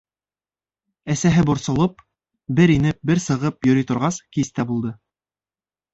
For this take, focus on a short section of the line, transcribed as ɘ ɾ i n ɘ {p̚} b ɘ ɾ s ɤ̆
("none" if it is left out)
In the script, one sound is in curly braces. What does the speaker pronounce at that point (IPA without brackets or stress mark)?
p̚